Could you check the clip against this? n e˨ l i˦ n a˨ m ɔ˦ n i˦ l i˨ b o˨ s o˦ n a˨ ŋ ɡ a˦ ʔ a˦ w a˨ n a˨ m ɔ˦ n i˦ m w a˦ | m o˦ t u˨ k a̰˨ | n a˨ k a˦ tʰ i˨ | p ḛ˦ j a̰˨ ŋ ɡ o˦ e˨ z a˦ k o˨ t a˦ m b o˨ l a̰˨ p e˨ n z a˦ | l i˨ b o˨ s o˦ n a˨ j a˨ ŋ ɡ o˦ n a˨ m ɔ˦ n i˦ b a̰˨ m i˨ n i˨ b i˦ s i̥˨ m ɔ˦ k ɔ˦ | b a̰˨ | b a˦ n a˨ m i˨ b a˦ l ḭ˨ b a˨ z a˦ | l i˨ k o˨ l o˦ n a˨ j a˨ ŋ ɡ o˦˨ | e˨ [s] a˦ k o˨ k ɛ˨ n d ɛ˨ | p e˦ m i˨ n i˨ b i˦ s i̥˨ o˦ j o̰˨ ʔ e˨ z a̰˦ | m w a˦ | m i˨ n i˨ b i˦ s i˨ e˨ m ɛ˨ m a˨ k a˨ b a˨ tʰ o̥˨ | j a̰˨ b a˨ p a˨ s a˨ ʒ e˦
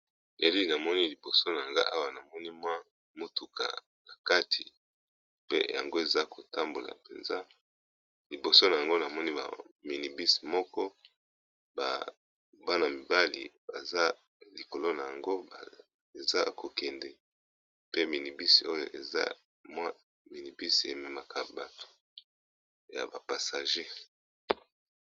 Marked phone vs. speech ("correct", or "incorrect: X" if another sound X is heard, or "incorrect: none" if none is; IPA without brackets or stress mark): incorrect: z